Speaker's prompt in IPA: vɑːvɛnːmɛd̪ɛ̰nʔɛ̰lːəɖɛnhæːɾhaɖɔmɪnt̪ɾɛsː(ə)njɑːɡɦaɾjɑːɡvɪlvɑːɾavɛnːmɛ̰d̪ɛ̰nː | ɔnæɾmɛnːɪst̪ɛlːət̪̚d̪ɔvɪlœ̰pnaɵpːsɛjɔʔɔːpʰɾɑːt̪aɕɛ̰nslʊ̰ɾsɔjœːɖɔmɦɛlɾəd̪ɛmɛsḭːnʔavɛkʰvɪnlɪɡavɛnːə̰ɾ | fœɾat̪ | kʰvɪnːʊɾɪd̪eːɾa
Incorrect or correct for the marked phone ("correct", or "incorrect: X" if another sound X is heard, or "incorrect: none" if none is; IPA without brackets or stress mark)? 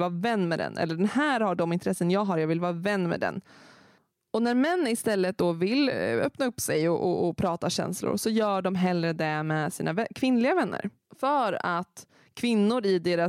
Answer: correct